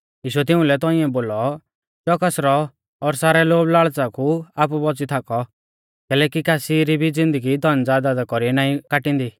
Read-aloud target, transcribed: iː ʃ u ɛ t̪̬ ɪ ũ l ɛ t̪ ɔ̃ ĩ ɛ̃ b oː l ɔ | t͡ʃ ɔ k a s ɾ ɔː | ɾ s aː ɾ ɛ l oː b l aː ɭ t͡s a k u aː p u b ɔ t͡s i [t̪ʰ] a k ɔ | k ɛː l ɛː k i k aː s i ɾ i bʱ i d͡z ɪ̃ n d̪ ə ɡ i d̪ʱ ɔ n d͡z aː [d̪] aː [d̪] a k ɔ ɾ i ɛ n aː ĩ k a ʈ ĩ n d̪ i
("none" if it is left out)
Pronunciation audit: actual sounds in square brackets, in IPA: t̪ʰ, d̪, d̪

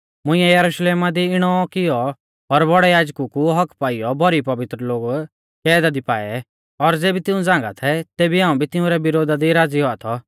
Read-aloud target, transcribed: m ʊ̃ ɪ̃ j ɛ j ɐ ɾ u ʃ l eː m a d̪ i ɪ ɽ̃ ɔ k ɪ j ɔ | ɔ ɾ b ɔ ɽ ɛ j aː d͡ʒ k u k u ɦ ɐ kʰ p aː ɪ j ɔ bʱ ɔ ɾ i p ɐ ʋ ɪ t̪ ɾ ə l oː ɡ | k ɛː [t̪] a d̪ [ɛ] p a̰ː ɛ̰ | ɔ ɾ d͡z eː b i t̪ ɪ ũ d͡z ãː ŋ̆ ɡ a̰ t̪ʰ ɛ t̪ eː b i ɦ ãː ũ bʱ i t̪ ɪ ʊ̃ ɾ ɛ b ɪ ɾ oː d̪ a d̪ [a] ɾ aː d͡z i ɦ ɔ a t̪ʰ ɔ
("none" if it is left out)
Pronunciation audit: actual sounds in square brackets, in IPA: d̪, i, i

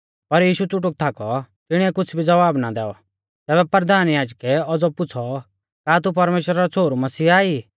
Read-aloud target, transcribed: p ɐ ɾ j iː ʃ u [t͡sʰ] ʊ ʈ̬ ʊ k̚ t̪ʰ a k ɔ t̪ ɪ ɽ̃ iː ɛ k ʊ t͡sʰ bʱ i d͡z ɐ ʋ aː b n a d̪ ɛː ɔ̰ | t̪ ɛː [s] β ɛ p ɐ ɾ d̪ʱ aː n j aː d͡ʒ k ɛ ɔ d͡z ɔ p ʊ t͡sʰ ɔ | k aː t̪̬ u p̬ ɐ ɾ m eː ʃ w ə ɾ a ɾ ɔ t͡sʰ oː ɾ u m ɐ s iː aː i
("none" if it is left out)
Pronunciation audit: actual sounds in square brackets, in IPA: t͡s, none

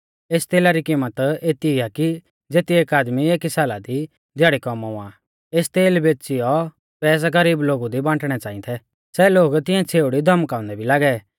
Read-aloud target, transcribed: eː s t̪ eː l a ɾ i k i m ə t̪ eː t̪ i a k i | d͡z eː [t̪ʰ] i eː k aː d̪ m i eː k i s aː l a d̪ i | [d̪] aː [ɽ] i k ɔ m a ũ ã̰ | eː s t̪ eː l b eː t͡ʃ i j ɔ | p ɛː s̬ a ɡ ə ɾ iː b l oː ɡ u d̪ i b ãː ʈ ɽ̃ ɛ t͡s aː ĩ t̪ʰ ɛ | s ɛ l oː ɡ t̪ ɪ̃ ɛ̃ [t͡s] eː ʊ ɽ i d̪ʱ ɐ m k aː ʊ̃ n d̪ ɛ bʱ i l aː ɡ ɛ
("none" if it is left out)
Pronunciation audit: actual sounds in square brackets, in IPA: t̪, d̪, ɽ, t͡sʰ

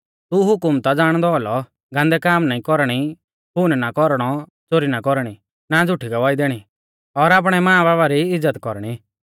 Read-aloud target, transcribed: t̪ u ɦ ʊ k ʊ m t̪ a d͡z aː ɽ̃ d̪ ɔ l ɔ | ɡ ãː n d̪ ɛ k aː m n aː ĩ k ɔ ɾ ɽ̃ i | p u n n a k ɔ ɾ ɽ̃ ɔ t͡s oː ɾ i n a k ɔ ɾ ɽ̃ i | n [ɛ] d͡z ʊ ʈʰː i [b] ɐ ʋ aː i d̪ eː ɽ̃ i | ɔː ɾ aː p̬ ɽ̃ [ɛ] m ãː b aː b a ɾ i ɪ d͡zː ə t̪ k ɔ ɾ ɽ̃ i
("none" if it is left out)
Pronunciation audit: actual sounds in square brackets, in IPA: a, ɡ, ɛ

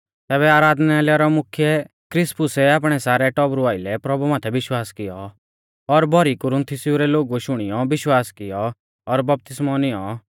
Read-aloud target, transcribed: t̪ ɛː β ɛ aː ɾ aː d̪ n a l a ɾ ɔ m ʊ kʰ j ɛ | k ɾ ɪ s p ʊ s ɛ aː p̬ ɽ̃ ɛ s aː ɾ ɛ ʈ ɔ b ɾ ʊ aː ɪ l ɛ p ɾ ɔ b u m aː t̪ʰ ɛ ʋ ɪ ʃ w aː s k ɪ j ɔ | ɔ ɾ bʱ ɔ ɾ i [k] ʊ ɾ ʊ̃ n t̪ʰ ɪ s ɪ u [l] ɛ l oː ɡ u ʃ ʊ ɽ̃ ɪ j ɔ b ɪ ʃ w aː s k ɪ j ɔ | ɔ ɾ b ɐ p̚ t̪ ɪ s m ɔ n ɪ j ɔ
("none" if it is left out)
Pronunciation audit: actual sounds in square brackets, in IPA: k, ɾ

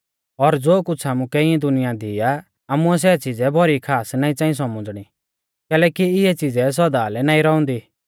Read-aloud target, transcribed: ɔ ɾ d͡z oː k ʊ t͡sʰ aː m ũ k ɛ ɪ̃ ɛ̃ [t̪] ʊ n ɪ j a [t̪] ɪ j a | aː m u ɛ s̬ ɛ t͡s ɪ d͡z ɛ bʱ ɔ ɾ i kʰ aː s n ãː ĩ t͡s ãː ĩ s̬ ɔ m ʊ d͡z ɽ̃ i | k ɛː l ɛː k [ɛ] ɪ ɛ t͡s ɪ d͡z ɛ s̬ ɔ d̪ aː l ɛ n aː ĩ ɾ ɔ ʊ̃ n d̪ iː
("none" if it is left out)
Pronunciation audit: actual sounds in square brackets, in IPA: d̪, d̪, i

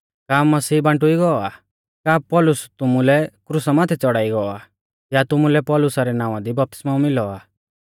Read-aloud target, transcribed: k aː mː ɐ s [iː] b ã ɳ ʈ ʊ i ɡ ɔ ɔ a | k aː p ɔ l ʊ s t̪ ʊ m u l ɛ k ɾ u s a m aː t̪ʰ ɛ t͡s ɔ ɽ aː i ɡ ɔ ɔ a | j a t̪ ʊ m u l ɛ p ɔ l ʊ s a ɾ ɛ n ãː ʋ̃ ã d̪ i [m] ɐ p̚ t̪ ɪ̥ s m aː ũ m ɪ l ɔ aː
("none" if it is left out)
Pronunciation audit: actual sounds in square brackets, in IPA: iː, b

